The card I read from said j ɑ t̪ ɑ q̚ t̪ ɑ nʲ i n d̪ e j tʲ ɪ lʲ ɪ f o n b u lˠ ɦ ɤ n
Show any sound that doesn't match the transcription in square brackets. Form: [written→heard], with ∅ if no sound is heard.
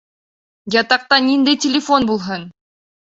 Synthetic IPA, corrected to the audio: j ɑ t̪ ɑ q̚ t̪ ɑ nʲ i n d̪ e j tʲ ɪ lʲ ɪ f o n b u lˠ ɦ ɤ n